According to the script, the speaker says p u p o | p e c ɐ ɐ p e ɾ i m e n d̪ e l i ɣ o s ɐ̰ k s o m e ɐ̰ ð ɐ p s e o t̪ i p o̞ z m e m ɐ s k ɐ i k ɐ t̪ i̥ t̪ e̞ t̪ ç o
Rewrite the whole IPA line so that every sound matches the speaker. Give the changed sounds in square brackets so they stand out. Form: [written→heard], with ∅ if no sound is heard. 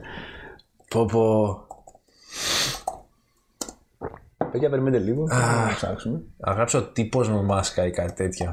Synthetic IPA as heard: p [u→o] p o | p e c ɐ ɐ p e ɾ i m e n d̪ e l i ɣ o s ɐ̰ k s [o→u] m e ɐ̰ [ð→ɣ] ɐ p s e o t̪ i p o̞ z m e m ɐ s k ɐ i k ɐ t̪ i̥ t̪ e̞ t̪ ç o